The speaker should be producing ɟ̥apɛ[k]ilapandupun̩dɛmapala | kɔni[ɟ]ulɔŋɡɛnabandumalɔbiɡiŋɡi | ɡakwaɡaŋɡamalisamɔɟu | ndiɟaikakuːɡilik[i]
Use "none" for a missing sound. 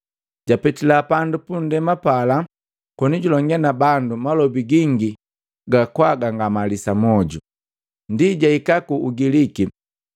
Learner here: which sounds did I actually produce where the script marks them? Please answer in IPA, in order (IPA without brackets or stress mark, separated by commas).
t, ɟ, i